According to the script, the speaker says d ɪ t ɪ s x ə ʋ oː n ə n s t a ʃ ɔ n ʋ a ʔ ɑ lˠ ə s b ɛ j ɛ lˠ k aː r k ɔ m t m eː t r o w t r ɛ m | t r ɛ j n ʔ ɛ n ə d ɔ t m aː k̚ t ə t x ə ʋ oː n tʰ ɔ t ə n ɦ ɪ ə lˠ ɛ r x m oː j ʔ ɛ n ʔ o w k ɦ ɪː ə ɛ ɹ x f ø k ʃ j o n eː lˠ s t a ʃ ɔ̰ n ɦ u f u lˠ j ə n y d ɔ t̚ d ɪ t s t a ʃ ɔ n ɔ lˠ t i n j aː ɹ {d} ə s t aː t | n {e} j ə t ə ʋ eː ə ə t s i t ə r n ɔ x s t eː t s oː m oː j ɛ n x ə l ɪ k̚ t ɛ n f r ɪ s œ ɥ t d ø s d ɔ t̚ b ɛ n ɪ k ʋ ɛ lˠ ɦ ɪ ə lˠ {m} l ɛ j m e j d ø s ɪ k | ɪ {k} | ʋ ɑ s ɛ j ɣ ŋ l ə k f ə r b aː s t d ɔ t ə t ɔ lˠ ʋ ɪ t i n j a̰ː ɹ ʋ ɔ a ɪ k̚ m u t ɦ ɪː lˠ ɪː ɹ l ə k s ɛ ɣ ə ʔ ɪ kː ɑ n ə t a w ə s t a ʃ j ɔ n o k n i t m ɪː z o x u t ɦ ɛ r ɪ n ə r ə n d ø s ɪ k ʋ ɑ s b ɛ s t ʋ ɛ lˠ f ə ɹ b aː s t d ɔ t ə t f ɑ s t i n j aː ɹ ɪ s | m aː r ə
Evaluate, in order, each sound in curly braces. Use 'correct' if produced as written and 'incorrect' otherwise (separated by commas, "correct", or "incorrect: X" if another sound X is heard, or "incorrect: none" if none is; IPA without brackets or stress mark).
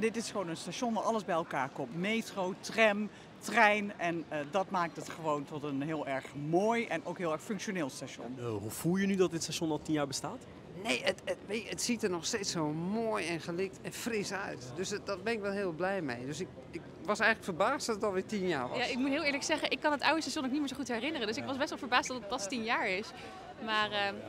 incorrect: b, correct, incorrect: b, correct